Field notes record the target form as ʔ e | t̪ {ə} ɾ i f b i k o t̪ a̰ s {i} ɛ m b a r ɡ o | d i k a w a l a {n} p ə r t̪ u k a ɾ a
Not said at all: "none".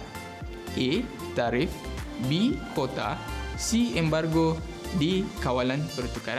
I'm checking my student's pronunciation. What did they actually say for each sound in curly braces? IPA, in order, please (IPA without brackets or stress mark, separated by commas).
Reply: a, i, n